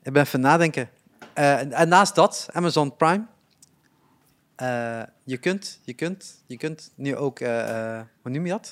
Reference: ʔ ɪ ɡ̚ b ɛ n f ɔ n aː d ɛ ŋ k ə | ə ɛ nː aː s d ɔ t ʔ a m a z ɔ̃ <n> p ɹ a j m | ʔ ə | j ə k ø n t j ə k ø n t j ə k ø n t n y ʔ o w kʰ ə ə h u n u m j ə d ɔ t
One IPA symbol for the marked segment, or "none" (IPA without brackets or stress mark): n